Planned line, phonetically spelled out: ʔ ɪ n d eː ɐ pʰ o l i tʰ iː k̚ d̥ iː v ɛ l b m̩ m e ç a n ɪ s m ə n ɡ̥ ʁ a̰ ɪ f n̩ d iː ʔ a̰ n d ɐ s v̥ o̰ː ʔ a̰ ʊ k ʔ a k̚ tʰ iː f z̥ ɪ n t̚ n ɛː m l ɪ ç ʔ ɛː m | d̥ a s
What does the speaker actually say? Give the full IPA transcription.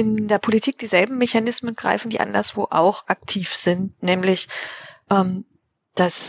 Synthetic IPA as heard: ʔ ɪ n d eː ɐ pʰ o l i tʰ iː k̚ d̥ iː z ɛ l b m̩ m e ç a n ɪ s m ə n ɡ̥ ʁ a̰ ɪ f n̩ d iː ʔ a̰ n d ɐ s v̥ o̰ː ʔ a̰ ʊ x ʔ a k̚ tʰ iː f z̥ ɪ n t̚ n ɛː m l ɪ ç ʔ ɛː m | d̥ a s